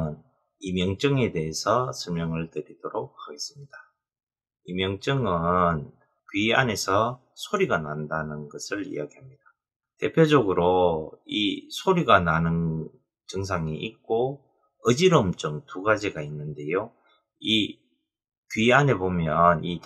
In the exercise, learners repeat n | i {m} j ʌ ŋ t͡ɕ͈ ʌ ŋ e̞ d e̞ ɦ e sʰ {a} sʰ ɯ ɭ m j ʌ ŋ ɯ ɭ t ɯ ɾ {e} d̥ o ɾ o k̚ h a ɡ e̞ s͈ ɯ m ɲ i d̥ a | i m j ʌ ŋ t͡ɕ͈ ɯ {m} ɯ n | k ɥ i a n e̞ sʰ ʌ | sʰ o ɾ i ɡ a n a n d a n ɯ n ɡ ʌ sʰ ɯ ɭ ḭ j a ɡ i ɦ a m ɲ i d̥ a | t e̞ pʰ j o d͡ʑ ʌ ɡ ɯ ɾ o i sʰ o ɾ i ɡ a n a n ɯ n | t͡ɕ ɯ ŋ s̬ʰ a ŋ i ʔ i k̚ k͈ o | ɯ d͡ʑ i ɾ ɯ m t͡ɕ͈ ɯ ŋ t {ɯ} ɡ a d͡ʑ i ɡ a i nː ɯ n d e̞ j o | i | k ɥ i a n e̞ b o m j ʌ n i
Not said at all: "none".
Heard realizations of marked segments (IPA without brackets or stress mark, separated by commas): m, ʌ, i, ŋ, u